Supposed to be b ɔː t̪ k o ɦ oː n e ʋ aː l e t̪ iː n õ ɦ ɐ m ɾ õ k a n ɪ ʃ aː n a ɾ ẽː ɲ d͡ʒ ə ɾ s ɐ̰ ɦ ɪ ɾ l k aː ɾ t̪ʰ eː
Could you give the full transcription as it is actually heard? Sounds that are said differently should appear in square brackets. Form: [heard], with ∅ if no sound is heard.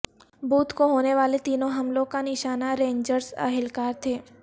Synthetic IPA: b [uː] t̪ k o ɦ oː n e ʋ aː l e t̪ iː n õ ɦ ɐ m [l] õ k a n ɪ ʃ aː n a ɾ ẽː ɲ d͡ʒ ə ɾ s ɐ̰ ɦ ɪ [∅] l k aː ɾ t̪ʰ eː